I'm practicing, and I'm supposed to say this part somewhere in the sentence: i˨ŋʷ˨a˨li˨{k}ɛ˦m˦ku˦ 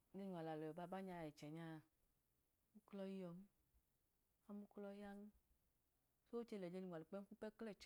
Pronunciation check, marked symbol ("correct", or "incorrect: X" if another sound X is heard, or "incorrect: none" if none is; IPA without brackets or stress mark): incorrect: k͡p